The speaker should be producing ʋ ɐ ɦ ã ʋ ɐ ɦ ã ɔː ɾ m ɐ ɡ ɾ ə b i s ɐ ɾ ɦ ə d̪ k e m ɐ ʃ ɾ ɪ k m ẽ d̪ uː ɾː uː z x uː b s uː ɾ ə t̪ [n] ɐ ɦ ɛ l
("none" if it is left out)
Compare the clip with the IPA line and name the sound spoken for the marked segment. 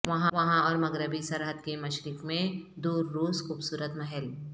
m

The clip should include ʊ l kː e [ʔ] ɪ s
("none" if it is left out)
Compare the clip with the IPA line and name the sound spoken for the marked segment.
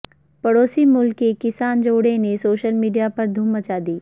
k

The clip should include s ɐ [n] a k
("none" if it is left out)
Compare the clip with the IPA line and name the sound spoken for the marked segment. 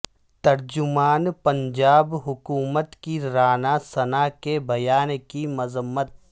n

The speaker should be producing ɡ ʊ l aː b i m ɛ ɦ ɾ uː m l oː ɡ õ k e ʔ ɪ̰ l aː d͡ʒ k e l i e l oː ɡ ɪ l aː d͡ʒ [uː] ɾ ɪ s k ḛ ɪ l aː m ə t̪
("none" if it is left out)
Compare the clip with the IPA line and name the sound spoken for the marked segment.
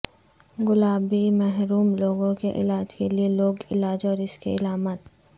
ɔː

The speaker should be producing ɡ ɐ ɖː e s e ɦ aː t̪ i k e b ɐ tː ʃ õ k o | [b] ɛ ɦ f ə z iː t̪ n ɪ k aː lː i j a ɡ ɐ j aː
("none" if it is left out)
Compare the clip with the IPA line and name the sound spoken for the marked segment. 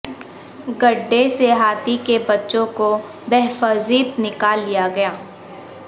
b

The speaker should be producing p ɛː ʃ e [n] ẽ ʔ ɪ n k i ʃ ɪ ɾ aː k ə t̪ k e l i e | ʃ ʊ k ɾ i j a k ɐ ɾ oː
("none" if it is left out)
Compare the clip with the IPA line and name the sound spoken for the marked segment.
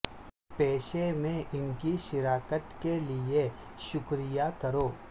m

